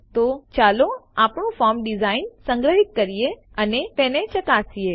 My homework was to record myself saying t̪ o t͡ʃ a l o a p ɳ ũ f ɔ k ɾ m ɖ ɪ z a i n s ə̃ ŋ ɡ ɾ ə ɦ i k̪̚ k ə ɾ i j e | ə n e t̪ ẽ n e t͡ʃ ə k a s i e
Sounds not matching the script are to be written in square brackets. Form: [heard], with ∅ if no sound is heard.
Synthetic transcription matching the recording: t̪ o t͡ʃ a l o a p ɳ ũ f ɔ [∅] ɾ m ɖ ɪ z a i n s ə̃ ŋ ɡ ɾ ə ɦ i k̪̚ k ə ɾ i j e | ə n e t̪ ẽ n e t͡ʃ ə k a s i e